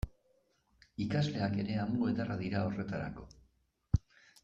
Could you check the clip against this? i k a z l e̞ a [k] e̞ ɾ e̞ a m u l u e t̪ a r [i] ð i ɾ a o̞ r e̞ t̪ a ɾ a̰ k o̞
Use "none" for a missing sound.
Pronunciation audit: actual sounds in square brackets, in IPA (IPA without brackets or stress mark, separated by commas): k, a